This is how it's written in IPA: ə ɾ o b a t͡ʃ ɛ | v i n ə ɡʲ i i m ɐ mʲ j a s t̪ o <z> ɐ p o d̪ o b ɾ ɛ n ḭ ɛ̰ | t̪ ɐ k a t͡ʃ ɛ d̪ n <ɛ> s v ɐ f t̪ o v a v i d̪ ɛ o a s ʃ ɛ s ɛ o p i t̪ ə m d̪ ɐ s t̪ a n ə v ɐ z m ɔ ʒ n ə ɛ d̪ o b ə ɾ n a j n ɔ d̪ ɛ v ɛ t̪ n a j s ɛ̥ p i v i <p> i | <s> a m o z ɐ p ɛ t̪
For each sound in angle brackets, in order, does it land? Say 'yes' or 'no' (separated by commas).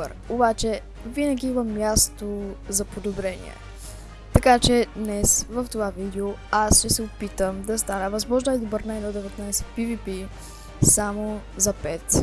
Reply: yes, yes, yes, yes